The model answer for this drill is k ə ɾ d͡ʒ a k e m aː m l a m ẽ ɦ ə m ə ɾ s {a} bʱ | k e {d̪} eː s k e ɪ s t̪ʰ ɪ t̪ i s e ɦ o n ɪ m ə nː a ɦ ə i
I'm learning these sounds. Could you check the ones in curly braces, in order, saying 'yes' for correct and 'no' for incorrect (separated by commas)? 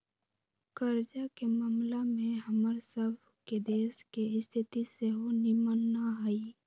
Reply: no, yes